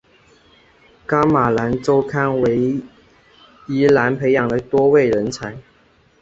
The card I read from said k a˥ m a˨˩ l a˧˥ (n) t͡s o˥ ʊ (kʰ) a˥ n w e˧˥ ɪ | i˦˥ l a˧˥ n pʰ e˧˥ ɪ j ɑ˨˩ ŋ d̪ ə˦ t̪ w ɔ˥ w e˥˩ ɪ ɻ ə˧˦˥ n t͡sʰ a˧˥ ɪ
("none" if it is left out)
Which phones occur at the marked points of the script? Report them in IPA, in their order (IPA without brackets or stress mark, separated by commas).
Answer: n, kʰ